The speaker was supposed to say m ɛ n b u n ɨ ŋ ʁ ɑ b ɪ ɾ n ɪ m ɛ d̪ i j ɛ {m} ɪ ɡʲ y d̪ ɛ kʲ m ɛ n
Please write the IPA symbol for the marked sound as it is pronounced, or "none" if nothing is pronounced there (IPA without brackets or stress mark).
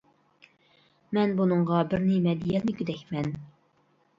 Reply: n